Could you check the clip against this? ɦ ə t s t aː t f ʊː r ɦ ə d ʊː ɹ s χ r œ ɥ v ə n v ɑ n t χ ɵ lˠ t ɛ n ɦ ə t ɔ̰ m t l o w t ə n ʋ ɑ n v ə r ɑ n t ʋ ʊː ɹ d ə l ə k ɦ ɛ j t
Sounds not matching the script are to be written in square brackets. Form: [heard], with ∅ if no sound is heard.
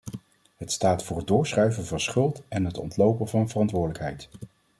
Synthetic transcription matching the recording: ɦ ə t s t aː t f ʊː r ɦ ə d ʊː ɹ s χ r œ ɥ v ə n v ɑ n [s] χ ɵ lˠ t ɛ n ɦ ə t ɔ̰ [n] t l o w [p] ə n [v] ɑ n v ə r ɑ n t ʋ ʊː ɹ d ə l ə k ɦ ɛ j t